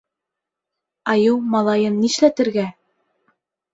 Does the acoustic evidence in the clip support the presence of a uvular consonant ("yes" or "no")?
no